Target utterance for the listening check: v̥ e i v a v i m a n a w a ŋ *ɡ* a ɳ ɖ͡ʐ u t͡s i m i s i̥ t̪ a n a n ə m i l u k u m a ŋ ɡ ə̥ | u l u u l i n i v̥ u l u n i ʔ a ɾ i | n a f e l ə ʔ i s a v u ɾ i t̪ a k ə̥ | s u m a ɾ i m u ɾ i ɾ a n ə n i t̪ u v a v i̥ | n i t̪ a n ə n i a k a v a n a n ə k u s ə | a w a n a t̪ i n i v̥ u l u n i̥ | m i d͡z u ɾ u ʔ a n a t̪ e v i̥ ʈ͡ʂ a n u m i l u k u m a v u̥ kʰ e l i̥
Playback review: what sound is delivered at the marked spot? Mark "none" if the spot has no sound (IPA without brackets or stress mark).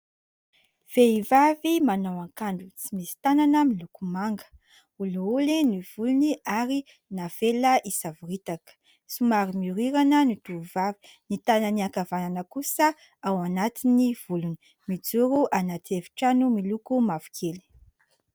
k